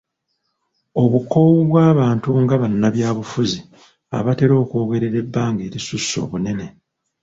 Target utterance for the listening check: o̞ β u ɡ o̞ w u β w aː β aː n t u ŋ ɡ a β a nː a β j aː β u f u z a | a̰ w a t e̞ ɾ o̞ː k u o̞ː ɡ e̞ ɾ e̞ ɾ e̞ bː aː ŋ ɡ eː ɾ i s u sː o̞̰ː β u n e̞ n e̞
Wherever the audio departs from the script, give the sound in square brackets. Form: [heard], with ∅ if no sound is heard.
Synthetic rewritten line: o̞ β u [k] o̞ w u β w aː β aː n t u ŋ ɡ a β a nː a β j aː β u f u z [i] | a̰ [β] a t e̞ ɾ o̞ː k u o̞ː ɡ e̞ ɾ e̞ ɾ e̞ bː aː ŋ ɡ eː ɾ i s u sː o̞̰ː β u n e̞ n e̞

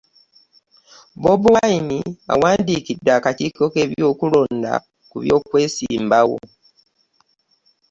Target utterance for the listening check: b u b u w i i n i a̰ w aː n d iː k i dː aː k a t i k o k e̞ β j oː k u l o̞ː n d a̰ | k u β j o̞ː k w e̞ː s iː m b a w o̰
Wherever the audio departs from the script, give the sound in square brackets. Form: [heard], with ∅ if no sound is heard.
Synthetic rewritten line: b [o] b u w [a] i n i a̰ w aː n d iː k i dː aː k a t i k o k e̞ β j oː k u l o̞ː n d a̰ | k u β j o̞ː k w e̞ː s iː m b a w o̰

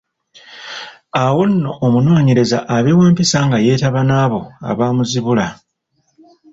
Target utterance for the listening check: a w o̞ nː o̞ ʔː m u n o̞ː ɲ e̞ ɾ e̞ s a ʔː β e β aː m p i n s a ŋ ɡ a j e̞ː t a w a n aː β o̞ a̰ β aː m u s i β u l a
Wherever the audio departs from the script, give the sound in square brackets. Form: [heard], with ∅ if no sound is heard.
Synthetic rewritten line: a w o̞ nː o̞ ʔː m u n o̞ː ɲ e̞ ɾ e̞ [z] a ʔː β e [w] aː m p i [∅] s a ŋ ɡ a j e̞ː t a [β] a n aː β o̞ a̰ β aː m u [z] i β u l a

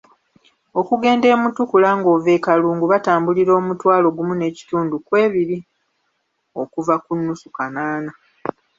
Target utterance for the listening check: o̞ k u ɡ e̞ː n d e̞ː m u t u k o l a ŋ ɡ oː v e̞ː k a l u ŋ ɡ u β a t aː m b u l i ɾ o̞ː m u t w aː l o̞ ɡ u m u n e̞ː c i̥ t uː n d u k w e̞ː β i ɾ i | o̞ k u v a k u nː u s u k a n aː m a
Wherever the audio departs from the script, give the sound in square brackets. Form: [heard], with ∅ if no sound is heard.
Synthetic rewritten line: o̞ k u ɡ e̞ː n d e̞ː m u t u k [u] l a ŋ ɡ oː v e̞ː k a l [uː] ŋ ɡ u β a t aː m b u l i ɾ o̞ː m u t w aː l o̞ ɡ u m u n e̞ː c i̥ t uː n d u k w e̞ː β i ɾ i | o̞ k u v a k u nː u s u k a n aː [n] a

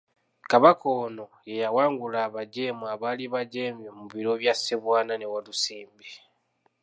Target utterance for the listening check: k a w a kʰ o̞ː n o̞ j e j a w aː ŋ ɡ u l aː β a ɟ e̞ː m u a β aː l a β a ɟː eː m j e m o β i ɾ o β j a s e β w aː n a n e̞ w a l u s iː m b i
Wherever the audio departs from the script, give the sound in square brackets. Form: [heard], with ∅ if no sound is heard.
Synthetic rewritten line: k a [β] a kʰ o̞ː n o̞ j e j a w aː ŋ ɡ u l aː β a ɟ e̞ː m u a β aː l [i] β a [ɟ] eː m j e m [u] β i ɾ o β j a s e β w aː n a n e̞ w a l u s iː m b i

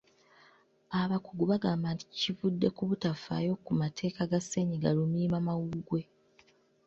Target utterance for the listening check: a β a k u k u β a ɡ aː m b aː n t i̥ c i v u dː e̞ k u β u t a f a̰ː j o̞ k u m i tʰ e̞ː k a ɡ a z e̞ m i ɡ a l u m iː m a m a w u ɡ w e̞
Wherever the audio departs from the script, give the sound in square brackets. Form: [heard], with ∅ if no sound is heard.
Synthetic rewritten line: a β a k u [ɡ] u β a ɡ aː m b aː n t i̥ c i v u dː e̞ k u β u t a f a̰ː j o̞ k u m [a] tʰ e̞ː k a ɡ a [s] e̞ [ɲ] i ɡ a l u m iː m a m a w u ɡ w e̞

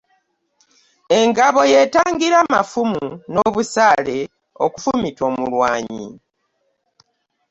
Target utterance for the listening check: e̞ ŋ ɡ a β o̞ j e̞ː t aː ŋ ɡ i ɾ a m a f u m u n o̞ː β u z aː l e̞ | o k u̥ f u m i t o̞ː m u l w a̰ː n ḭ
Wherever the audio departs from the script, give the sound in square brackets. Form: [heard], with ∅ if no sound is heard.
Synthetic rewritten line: e̞ ŋ ɡ a β o̞ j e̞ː t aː ŋ ɡ i ɾ a m a f u m u n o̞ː β u [s] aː l e̞ | o k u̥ f u m i t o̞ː m u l w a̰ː [ɲ] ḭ

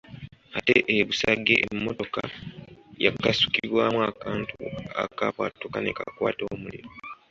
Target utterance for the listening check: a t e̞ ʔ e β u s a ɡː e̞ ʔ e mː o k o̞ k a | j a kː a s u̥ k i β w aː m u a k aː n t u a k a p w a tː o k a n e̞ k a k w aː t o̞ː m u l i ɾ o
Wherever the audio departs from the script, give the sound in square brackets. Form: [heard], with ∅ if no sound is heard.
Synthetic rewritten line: a t e̞ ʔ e β u s a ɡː e̞ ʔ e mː o [t] o̞ k a | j a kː a s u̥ k i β w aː m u a k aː n t u a k a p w a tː o k a n e̞ k a k w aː t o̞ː m u l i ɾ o

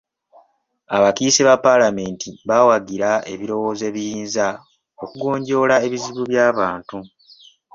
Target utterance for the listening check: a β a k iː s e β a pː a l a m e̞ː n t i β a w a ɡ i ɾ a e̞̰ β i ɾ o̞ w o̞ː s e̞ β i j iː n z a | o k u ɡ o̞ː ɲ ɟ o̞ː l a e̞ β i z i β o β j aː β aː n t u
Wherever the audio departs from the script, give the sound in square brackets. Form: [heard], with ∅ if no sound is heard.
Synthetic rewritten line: a β a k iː s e β a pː a l a m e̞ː n t i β a w a ɡ i ɾ a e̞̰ β i ɾ o̞ w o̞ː [z] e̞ β i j iː n z a | o k u ɡ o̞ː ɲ ɟ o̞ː l a e̞ β i z i β [u] β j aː β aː n t u

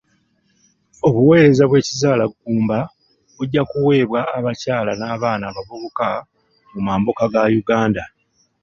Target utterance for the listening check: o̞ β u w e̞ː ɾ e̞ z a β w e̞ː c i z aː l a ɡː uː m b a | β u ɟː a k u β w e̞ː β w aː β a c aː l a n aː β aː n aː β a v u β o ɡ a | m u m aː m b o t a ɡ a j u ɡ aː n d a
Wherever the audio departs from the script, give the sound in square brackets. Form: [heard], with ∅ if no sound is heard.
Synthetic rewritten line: o̞ β u w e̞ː ɾ e̞ z a β w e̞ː c i z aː l a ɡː uː m b a | β u ɟː a k u [∅] w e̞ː β w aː β a c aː l a n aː β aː n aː β a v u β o [k] a | m u m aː m b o [k] a ɡ a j u ɡ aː n d a

